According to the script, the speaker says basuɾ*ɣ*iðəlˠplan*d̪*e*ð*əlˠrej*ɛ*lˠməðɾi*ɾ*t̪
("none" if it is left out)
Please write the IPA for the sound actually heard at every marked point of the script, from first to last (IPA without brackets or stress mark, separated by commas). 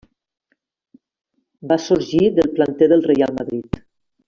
ʒ, t̪, ð, a, none